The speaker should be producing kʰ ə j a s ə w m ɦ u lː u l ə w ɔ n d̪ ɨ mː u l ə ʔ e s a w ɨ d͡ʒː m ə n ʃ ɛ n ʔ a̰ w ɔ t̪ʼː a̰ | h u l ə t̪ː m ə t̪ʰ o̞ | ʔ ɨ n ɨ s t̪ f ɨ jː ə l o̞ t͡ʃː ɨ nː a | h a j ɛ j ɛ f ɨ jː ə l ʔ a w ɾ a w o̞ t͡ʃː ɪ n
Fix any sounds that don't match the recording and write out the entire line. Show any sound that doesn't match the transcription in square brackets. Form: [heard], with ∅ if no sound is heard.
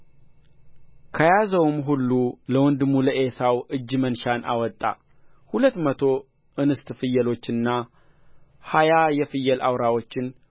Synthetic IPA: kʰ ə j a [z] ə w m ɦ u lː u l ə w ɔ n d̪ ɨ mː u l ə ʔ e s a w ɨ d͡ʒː m ə n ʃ [a] n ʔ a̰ w ɔ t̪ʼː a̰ | h u l ə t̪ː m ə t̪ʰ o̞ | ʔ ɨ n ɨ s t̪ f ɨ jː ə l o̞ t͡ʃː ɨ nː a | h a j [a] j ɛ f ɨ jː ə l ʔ a w ɾ a w o̞ t͡ʃː ɪ n

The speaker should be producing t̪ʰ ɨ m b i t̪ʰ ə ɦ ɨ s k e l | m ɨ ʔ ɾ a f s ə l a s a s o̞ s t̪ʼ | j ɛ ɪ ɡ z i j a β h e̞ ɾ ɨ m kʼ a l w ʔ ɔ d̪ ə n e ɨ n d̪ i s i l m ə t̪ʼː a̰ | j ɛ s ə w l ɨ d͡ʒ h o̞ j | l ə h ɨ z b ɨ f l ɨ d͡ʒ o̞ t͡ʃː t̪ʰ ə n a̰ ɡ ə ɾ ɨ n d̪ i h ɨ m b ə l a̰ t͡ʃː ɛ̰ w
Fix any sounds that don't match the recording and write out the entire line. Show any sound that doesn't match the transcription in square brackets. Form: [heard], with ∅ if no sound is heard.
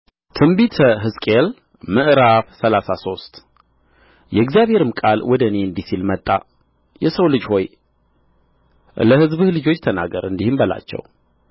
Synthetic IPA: t̪ʰ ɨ m b i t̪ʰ ə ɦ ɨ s [kʼ] e l | m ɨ ʔ ɾ a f s ə l a s a s o̞ s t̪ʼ | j ɛ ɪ ɡ z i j a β h e̞ ɾ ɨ m kʼ a l w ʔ ɔ d̪ ə n e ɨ n d̪ i s i l m ə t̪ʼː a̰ | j ɛ s ə w l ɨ d͡ʒ h o̞ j | l ə h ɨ z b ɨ [h] l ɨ d͡ʒ o̞ t͡ʃː t̪ʰ ə n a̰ ɡ ə ɾ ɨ n d̪ i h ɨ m b ə l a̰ t͡ʃː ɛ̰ w

